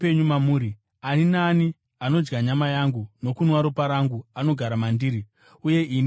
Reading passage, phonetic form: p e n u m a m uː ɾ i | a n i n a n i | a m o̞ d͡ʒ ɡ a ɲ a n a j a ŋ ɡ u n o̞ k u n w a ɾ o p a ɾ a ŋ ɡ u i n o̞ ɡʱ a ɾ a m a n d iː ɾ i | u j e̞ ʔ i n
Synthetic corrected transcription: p e ɲ u m a m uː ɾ i | a n i n a n i | a n o̞ d͡ʒ ɡ a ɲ a m a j a ŋ ɡ u n o̞ k u n w a ɾ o p a ɾ a ŋ ɡ u a n o̞ ɡʱ a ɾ a m a n d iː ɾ i | u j e̞ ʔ i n